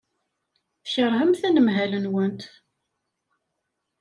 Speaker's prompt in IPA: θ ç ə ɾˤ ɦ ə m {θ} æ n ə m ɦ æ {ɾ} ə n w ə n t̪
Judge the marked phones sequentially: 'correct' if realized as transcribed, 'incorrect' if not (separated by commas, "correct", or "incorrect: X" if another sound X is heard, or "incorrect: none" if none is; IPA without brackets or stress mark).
correct, incorrect: l